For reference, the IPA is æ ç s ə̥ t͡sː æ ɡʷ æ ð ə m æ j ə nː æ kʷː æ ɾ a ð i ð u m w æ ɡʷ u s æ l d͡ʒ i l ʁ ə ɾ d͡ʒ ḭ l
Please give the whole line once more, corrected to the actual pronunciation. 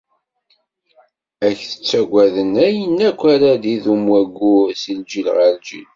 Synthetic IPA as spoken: æ ç θ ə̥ t͡sː æ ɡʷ æ ð ə n æ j ə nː æ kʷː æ ɾ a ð i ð u m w æ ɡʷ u s i l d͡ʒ i l ʁ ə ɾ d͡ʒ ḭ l

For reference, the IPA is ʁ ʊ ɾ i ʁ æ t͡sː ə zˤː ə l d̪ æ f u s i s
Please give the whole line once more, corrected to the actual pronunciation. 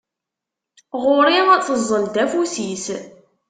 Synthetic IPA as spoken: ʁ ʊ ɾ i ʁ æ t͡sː ə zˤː ə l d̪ æ f u s i s

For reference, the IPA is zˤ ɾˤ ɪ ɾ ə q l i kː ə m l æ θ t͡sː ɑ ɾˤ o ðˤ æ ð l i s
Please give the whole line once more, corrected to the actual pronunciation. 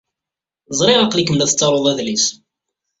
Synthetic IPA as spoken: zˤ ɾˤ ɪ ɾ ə q l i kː ə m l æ θ t͡sː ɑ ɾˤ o ðˤ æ ð l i s

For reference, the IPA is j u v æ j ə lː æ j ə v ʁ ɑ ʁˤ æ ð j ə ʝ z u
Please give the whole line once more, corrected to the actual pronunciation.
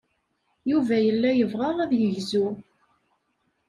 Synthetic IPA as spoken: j u v æ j ə lː æ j ə v ʁ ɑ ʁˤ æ ð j ə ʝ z u

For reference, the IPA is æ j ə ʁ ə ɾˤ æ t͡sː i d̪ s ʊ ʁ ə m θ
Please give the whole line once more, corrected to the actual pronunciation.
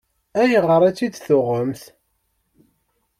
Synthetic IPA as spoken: æ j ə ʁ ə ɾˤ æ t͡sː i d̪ θ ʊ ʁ ə m θ

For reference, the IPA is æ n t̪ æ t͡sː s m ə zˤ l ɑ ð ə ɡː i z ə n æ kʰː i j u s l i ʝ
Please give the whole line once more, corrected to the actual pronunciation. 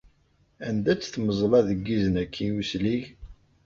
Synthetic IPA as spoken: æ n d̪ æ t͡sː θ m ə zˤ l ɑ ð ə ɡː i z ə n æ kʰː i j u s l i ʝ

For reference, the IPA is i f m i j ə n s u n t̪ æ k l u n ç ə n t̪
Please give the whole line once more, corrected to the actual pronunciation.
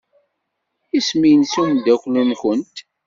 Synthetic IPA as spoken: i s m i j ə n s u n d̪ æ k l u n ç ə n t̪

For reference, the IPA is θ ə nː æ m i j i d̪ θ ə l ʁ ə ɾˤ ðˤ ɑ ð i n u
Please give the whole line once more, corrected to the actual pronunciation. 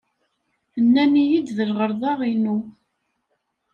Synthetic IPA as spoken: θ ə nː æ n i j i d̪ ð ə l ʁ ə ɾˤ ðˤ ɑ ʁ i n u

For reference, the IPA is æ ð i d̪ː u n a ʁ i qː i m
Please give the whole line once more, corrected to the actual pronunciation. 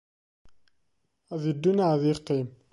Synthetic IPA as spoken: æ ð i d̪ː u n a ð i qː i m

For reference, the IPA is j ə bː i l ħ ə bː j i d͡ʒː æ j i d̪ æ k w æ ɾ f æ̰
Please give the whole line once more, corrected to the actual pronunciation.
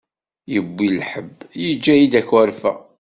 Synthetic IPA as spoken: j ə bː i l ħ ə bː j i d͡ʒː æ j i d̪ æ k w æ ɾ f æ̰

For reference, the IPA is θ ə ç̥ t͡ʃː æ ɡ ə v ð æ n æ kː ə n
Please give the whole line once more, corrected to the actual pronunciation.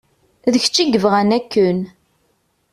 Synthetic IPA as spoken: ð ə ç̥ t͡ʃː i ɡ ə v ʁ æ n æ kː ə n

